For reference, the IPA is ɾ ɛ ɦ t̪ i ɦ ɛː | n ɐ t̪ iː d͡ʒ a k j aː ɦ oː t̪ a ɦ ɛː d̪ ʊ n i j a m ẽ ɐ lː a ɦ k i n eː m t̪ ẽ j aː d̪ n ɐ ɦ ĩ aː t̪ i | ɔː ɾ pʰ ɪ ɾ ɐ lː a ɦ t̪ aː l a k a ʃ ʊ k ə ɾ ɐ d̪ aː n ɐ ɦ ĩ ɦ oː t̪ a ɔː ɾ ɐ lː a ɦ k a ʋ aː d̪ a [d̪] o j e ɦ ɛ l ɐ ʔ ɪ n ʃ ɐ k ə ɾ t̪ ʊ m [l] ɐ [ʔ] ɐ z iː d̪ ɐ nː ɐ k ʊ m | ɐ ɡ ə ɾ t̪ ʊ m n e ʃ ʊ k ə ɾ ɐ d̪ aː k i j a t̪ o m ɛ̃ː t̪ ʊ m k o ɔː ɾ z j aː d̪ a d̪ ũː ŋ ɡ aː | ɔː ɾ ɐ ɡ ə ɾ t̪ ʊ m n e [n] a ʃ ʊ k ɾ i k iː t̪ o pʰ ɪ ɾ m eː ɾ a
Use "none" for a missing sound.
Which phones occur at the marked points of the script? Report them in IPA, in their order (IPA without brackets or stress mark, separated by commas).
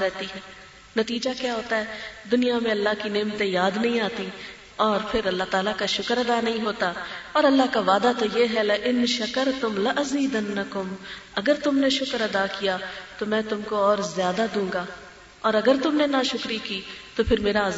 t̪, l, ʔ, n